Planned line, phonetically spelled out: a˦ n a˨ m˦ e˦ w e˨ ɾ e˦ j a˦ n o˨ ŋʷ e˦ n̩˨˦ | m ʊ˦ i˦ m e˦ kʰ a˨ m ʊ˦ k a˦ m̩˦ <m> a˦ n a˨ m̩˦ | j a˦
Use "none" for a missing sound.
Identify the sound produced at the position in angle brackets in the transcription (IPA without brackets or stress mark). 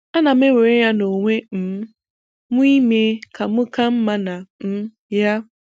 m